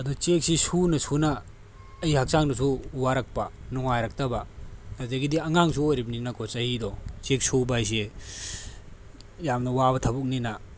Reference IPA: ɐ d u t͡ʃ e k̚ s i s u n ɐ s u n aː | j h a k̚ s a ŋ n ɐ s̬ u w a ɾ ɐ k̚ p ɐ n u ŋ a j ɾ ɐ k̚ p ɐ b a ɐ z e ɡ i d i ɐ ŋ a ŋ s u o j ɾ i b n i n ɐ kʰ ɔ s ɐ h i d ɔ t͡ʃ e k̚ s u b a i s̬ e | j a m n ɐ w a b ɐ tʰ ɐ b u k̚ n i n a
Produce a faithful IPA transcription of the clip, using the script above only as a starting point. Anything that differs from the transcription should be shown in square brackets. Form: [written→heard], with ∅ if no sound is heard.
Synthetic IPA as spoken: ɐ d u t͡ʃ e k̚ s i s u n ɐ s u n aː | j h a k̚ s a ŋ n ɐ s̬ u w a ɾ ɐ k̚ p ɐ n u ŋ a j ɾ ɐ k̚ [p→t] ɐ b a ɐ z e ɡ i d i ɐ ŋ a ŋ s u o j ɾ i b n i n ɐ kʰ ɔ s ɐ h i d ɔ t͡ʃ e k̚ s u b a [i→j] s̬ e | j a m n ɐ w a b ɐ tʰ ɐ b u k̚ n i n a